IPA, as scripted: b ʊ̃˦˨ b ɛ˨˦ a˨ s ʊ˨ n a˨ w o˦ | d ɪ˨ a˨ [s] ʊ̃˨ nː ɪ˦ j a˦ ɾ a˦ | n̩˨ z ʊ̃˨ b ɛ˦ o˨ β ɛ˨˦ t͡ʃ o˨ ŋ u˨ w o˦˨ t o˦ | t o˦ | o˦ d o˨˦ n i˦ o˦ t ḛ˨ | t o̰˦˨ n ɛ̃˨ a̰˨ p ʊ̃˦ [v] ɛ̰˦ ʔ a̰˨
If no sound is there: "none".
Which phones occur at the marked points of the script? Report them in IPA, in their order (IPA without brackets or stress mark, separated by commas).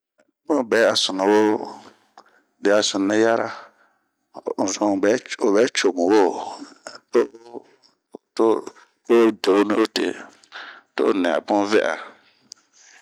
s, v